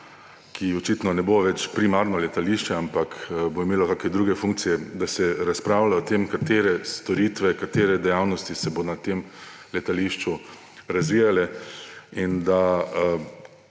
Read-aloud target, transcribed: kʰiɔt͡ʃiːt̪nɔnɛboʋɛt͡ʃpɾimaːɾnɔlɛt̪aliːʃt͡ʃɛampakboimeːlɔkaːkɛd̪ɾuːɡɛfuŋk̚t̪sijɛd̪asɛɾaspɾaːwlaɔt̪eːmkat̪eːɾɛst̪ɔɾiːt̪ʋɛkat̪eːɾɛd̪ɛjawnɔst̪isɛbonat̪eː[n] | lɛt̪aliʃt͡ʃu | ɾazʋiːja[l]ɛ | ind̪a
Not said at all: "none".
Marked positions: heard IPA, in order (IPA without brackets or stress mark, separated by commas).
m, l